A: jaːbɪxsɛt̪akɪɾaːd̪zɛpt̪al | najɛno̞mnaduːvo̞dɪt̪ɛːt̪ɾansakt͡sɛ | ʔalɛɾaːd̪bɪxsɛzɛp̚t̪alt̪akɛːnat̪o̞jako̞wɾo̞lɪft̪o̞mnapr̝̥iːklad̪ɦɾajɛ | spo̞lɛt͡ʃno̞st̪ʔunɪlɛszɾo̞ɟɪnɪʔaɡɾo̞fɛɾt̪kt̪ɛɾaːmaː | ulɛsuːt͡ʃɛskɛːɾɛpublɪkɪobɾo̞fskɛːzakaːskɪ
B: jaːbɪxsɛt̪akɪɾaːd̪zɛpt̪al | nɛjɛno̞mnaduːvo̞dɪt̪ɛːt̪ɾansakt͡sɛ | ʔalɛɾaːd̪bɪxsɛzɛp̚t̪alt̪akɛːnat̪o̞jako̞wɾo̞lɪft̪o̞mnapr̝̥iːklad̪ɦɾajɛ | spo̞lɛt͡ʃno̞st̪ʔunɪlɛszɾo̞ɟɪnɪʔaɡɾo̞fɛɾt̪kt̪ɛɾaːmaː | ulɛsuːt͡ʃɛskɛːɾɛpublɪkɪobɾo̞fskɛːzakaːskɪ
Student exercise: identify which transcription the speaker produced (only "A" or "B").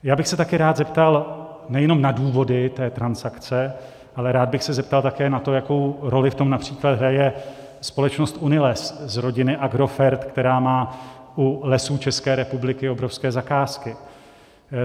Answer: B